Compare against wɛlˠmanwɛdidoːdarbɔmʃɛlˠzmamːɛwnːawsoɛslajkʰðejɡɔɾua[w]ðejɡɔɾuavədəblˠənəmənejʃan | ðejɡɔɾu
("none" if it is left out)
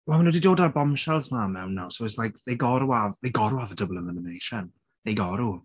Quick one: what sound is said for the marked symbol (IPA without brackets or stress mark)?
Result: v